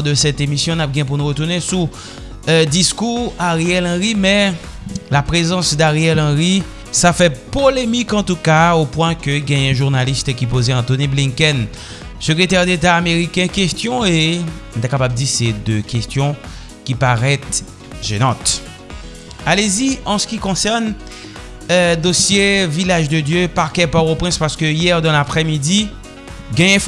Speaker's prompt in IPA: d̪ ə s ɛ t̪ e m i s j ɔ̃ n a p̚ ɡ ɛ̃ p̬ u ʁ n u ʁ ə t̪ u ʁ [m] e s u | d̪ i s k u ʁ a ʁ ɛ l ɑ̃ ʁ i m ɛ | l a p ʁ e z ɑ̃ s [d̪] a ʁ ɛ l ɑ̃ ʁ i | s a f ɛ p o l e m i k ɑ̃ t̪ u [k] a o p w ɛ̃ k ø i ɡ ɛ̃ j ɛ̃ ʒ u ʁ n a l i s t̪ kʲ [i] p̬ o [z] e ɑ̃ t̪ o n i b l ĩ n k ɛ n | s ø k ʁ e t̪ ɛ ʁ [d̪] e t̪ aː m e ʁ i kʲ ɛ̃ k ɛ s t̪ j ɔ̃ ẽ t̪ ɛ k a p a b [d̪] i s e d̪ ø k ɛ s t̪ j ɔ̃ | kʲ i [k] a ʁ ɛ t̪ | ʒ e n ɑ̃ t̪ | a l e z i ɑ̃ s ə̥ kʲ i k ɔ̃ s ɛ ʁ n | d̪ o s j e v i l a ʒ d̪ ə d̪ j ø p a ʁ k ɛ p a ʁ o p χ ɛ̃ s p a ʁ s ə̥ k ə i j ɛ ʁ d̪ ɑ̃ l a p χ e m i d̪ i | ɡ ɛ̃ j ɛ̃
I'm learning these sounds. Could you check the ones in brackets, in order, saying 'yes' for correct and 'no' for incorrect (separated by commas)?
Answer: no, yes, yes, yes, yes, yes, yes, no